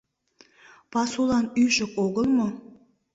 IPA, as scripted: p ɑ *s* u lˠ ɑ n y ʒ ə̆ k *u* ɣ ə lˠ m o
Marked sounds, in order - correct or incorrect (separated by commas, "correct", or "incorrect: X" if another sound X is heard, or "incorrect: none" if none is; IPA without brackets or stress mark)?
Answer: correct, incorrect: o